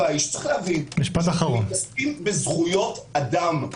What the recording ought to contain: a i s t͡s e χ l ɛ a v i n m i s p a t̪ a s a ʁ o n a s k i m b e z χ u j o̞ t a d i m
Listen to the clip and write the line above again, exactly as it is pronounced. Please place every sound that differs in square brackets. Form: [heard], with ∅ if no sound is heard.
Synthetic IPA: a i [ʃ] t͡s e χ l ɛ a v i n m i [ʃ] p a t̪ a [χ] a ʁ o n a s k i m b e z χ u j o̞ t a d [a] m